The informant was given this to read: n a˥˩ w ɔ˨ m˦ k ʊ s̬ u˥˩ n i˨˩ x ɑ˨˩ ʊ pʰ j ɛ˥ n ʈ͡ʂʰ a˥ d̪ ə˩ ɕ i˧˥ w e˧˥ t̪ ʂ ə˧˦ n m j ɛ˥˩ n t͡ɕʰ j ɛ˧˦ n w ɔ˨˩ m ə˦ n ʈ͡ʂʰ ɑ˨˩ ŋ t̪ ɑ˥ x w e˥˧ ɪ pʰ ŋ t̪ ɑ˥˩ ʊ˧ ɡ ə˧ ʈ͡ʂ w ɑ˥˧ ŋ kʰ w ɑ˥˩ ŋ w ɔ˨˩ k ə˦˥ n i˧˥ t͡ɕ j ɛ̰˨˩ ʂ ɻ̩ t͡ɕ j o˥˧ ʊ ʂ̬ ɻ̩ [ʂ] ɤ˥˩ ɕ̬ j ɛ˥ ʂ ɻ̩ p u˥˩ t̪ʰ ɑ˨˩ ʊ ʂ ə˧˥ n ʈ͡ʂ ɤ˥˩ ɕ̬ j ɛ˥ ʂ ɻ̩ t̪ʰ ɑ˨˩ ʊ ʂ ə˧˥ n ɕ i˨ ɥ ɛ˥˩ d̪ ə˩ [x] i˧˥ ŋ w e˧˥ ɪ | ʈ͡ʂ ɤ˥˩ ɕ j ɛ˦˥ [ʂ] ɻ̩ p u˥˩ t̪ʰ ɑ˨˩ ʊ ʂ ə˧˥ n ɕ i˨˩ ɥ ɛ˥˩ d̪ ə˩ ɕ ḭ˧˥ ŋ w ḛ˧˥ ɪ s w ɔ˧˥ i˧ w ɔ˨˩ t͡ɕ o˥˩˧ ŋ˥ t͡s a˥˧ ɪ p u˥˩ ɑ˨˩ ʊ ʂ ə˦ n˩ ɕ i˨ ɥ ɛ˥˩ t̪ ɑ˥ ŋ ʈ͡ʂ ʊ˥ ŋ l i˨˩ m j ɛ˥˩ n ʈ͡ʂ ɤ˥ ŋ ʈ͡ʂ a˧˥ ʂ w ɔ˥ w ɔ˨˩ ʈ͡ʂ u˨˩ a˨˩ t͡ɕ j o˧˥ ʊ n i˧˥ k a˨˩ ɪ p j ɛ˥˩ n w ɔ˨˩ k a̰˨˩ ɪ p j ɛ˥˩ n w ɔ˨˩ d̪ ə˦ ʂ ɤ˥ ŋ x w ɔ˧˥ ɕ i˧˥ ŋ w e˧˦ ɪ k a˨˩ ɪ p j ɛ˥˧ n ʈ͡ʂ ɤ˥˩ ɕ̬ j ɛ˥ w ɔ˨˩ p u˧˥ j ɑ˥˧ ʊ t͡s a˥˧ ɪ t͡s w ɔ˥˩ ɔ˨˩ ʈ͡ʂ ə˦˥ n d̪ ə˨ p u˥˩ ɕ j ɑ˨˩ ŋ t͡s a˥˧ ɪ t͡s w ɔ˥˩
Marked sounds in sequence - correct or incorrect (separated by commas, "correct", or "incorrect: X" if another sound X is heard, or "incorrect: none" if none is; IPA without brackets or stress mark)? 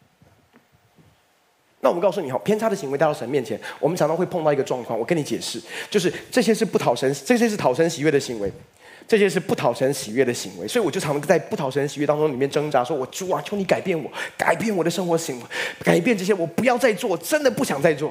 incorrect: ʈ͡ʂ, incorrect: ɕ, correct